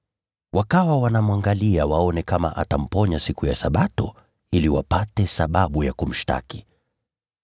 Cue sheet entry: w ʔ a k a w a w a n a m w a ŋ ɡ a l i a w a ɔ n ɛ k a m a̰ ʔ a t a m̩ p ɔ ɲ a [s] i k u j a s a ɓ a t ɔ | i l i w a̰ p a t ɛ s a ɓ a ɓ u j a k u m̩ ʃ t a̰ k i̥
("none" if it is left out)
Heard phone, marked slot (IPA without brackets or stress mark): s